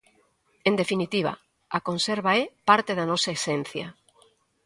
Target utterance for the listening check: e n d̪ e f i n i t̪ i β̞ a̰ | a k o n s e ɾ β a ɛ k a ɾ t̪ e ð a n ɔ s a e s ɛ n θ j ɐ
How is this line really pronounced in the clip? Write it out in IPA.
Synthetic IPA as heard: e n d̪ e f i n i t̪ i β̞ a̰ | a k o n s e ɾ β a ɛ p a ɾ t̪ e ð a n ɔ s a e s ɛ n θ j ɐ